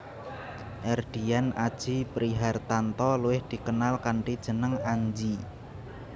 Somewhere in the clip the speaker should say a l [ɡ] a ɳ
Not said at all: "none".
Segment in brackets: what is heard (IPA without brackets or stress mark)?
k